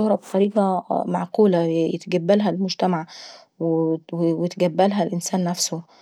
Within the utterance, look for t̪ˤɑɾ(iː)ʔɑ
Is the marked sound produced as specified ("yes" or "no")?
yes